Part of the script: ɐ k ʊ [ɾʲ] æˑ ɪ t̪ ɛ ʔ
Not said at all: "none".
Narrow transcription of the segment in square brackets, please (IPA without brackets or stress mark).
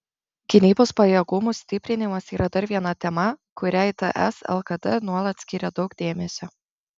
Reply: ɾʲ